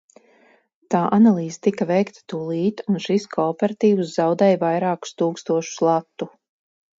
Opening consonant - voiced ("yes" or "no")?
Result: no